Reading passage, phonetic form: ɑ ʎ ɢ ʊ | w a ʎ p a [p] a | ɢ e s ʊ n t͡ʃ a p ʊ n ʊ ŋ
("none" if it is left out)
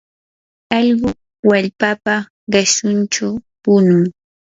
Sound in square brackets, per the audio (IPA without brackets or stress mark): p